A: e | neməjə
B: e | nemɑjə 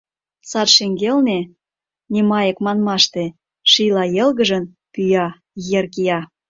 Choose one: B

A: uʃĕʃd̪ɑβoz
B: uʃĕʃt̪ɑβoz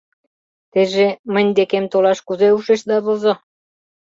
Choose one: A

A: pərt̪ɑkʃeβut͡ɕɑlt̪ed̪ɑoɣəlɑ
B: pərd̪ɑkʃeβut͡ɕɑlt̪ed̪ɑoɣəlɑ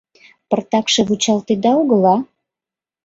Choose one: A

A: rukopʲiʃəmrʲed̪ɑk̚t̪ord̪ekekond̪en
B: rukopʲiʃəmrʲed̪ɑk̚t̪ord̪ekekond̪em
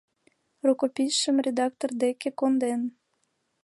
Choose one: A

